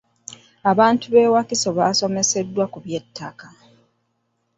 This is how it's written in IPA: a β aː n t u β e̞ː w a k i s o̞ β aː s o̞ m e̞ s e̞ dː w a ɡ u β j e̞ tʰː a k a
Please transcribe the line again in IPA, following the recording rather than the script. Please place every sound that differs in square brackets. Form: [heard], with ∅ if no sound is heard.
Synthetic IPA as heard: a β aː n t u β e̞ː w a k i s o̞ β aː s o̞ m e̞ s e̞ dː w a [k] u β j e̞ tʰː a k a